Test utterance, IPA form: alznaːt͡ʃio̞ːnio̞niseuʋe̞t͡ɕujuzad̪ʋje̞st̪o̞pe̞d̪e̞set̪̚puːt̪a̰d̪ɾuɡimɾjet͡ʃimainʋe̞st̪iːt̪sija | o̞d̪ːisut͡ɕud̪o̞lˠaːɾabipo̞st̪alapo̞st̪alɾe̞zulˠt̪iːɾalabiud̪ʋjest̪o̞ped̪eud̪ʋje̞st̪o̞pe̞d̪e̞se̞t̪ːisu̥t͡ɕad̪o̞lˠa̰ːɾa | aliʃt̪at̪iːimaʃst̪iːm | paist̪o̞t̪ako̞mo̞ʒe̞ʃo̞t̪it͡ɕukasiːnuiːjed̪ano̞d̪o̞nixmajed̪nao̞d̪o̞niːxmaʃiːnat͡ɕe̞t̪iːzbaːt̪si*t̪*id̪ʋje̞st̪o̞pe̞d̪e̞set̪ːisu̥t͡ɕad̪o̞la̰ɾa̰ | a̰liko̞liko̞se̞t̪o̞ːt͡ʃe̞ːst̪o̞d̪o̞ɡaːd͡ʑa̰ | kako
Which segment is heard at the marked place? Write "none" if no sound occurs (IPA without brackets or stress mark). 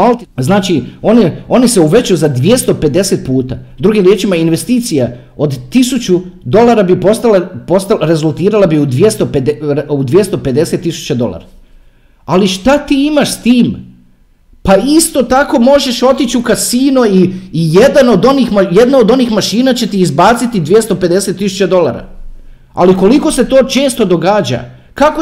t̪